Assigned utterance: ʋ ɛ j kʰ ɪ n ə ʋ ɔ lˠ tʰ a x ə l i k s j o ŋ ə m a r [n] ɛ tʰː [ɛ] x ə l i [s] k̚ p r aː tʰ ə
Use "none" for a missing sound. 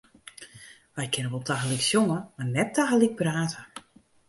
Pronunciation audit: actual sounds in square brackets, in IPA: n, a, none

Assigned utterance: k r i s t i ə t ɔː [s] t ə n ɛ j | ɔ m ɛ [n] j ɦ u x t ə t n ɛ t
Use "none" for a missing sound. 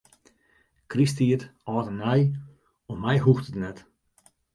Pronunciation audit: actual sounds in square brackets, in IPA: none, none

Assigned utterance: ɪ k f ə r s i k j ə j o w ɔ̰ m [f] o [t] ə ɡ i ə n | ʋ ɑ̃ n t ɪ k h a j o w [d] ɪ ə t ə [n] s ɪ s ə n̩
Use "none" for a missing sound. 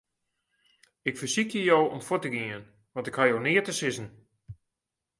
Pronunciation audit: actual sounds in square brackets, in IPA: f, t, n, none

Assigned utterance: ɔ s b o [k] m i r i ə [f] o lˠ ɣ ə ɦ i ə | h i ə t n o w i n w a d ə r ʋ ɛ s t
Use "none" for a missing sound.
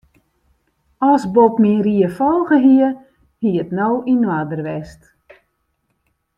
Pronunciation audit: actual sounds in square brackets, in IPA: p, f

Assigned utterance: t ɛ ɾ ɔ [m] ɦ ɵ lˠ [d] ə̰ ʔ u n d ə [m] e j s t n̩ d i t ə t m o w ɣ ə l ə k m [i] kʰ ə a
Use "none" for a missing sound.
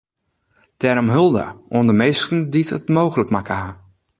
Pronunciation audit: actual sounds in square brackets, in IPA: m, d, m, a

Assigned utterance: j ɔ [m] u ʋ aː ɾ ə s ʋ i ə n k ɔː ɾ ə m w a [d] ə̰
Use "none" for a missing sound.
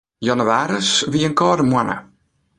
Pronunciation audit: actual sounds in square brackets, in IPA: n, n

